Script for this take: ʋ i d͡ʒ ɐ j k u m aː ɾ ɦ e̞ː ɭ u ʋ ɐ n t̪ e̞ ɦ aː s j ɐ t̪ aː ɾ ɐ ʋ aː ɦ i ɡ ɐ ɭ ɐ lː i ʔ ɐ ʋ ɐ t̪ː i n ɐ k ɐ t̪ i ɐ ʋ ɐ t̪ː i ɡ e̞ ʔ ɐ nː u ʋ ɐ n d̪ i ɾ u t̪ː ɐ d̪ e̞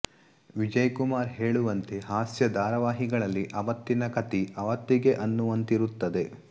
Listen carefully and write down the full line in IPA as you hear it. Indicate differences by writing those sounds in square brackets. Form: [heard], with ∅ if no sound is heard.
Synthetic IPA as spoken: ʋ i d͡ʒ ɐ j k u m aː ɾ ɦ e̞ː ɭ u ʋ ɐ n t̪ e̞ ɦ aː s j ɐ [d̪] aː ɾ ɐ ʋ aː ɦ i ɡ ɐ ɭ ɐ lː i ʔ ɐ ʋ ɐ t̪ː i n ɐ k ɐ t̪ i ɐ ʋ ɐ t̪ː i ɡ e̞ ʔ ɐ nː u ʋ ɐ n [t̪] i ɾ u t̪ː ɐ d̪ e̞